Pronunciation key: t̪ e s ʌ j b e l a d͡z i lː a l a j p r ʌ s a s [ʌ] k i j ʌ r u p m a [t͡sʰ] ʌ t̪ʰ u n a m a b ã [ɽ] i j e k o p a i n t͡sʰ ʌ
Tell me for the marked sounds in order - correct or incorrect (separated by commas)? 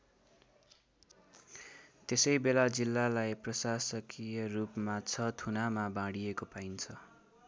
correct, correct, correct